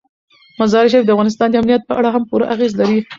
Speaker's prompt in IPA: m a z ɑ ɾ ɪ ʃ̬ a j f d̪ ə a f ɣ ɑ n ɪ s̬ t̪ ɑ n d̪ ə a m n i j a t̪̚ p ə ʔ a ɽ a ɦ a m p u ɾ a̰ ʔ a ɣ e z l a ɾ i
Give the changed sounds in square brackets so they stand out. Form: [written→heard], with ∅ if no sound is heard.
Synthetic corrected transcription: m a z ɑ ɾ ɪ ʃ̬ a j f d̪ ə a f ɣ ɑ n ɪ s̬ t̪ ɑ n d̪ ə a m n i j a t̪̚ p ə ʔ a ɽ a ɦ a m p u ɾ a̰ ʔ a ɣ e z l a ɾ i